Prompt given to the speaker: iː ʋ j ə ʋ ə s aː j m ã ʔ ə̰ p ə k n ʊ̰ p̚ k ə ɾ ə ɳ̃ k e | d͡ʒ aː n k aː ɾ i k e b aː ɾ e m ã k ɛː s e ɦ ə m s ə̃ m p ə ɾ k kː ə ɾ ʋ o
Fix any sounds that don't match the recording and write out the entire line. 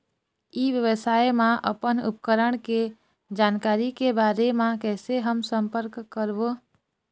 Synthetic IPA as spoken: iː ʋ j ə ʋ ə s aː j m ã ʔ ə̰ p ə n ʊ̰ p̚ k ə ɾ ə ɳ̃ k e | d͡ʒ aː n k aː ɾ i k e b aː ɾ e m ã k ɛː s e ɦ ə m s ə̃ m p ə ɾ k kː ə ɾ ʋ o